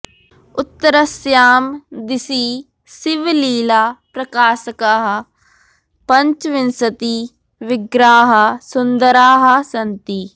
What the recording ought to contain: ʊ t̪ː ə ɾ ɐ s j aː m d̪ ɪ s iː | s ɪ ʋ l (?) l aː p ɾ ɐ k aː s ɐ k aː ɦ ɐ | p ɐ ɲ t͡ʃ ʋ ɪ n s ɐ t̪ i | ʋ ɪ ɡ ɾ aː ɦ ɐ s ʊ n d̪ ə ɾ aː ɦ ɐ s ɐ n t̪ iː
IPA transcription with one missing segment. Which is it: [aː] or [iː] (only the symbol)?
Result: iː